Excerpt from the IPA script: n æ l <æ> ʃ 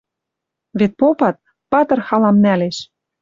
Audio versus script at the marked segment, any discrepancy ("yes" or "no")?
yes